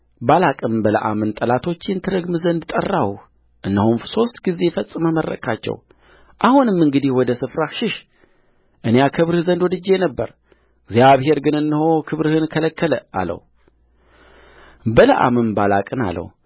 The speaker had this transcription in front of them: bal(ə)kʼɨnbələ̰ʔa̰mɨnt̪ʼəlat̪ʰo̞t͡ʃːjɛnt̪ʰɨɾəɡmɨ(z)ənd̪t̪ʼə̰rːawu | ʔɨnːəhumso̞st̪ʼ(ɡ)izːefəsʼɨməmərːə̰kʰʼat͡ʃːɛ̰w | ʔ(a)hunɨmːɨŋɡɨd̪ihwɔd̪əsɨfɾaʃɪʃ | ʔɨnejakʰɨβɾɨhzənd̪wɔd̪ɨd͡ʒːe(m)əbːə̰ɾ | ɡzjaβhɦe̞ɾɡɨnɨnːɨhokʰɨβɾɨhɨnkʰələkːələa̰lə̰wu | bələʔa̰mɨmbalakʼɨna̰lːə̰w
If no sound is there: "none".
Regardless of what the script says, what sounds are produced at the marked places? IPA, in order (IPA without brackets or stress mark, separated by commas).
a, z, ɡ, a, n